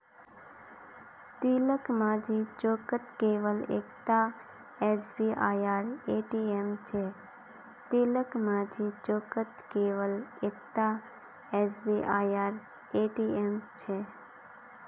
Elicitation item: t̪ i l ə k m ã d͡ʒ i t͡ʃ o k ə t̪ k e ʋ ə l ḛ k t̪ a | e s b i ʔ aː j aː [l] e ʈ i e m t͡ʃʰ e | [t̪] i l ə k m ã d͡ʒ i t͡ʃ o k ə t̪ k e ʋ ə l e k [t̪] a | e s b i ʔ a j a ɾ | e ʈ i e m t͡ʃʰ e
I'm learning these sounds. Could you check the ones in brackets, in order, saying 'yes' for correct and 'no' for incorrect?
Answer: no, yes, yes

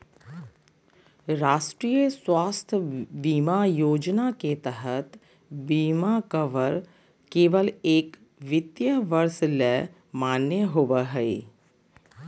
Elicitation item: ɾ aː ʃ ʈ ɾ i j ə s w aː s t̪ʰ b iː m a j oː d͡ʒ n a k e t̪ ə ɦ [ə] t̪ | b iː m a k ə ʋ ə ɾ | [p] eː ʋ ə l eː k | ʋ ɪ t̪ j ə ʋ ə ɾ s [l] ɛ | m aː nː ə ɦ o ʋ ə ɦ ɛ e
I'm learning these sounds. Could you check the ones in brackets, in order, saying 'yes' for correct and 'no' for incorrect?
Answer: yes, no, yes

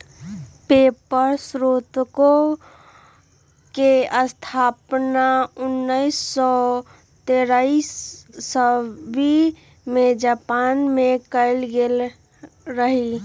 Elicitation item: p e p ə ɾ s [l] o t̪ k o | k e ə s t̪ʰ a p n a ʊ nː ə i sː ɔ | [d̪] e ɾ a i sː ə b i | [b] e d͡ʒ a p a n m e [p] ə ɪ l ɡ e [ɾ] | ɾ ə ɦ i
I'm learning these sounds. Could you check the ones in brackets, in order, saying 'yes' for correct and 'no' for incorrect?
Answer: no, no, no, no, no

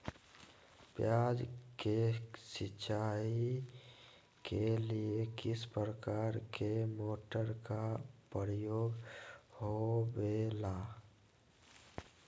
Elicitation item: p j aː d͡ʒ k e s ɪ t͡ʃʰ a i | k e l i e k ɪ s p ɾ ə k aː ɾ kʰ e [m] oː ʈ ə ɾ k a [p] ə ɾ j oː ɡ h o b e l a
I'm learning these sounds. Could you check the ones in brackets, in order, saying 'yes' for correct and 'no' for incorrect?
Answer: yes, yes

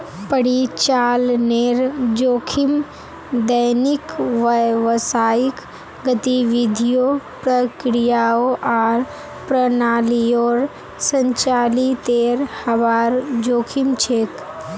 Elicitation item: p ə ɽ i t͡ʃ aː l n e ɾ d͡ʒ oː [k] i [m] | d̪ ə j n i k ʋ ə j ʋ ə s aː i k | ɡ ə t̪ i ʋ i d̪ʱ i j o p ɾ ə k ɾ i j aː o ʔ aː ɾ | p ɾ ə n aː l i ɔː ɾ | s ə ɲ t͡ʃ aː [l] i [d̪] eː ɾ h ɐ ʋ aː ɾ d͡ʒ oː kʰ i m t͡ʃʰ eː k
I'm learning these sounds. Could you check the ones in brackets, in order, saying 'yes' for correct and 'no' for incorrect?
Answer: no, yes, yes, no

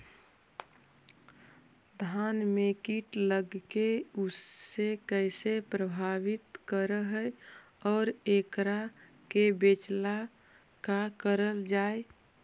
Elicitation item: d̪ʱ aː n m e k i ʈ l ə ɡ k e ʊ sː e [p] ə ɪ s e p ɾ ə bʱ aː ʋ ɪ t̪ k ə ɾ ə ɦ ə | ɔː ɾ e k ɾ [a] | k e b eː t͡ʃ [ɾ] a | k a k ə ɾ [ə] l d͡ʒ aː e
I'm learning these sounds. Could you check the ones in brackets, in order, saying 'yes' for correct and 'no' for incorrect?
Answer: no, yes, no, yes

